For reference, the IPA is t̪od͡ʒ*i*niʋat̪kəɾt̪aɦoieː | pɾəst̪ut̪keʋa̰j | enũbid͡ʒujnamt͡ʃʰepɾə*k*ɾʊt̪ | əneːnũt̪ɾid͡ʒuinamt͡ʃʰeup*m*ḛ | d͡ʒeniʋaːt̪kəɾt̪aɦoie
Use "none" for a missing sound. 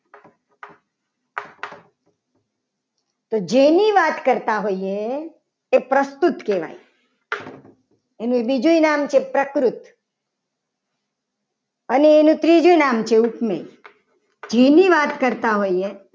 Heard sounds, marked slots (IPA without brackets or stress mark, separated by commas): e, k, m